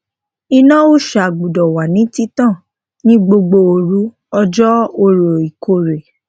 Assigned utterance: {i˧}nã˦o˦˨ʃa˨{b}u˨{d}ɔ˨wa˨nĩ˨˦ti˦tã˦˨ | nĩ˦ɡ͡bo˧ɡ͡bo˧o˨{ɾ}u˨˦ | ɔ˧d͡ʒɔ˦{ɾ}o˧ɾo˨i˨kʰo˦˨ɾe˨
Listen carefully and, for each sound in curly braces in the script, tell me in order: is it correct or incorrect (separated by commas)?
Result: correct, incorrect, correct, correct, incorrect